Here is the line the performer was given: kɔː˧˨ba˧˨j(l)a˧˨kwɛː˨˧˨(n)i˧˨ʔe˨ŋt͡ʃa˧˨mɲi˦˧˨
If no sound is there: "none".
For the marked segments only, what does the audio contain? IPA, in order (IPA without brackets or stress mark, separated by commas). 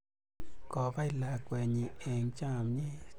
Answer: l, ɲ